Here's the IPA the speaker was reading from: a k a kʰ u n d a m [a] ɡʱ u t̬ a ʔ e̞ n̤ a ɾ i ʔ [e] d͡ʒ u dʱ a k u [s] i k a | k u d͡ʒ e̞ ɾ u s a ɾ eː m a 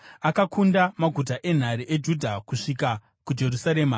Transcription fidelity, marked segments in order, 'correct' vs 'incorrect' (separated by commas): correct, correct, incorrect